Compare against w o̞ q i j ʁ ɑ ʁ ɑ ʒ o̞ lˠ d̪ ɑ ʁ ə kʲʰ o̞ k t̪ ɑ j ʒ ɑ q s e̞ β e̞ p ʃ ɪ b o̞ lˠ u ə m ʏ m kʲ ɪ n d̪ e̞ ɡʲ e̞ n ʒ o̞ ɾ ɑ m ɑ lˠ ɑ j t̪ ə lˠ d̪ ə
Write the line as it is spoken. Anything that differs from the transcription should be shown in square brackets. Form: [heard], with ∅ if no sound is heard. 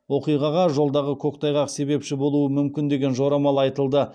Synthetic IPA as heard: w o̞ q i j ʁ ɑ ʁ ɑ ʒ o̞ lˠ d̪ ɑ ʁ ə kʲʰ o̞ k t̪ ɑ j [ʁ] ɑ q s e̞ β e̞ p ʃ ɪ b o̞ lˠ u ə m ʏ m kʲ ɪ n d̪ e̞ ɡʲ e̞ n ʒ o̞ ɾ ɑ m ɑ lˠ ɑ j t̪ ə lˠ d̪ ə